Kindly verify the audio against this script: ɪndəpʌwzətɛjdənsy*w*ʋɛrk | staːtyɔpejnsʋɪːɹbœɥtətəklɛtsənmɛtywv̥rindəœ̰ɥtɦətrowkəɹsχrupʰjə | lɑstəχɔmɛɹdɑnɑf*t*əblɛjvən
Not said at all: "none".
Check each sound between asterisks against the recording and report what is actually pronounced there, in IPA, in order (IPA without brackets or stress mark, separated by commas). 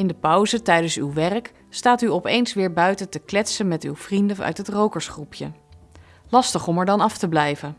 w, t